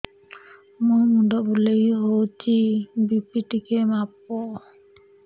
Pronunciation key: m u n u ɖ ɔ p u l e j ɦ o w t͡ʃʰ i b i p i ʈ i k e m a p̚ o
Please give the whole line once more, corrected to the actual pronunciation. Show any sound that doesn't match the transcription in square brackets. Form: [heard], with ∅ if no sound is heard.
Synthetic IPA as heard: m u [m] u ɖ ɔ [b] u l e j ɦ o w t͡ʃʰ i b i p i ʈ i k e m a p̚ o

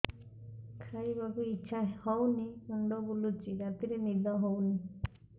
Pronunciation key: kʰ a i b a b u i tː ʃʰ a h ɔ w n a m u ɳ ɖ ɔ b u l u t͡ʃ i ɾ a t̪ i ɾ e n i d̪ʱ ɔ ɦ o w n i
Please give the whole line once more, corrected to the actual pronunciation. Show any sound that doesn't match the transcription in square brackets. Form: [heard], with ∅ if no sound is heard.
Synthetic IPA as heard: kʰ a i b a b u i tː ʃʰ a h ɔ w n [i] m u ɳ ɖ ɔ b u l u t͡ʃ i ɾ a t̪ i ɾ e n i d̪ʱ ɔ ɦ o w n i

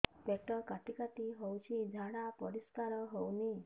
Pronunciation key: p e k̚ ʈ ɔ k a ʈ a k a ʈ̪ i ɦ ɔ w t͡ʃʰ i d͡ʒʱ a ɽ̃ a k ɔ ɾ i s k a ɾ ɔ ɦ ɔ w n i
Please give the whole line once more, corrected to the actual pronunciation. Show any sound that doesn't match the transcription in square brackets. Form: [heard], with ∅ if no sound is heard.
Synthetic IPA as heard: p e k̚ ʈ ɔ k a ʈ [i] k a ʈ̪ i ɦ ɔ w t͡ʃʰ i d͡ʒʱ a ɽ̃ a [p] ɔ ɾ i s k a ɾ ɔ ɦ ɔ w n i

